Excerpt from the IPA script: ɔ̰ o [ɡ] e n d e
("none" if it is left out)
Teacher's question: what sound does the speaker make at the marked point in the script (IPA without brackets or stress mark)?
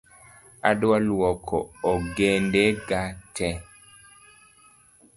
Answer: ɡ